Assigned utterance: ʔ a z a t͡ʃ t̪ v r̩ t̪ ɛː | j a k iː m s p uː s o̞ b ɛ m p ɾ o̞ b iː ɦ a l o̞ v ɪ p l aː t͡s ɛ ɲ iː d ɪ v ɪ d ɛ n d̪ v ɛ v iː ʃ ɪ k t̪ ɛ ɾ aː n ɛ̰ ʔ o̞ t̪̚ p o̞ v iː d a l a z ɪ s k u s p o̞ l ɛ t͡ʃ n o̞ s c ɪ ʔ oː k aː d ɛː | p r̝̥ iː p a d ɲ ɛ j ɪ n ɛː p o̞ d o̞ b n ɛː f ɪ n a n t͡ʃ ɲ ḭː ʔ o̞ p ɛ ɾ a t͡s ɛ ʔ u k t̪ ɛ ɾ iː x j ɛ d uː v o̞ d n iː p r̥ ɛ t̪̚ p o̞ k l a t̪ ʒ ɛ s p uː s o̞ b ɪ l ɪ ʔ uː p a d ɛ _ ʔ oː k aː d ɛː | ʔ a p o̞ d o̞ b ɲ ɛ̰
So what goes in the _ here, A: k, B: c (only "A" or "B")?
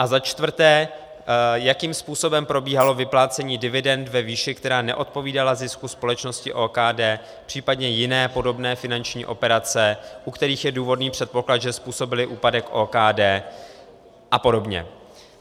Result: A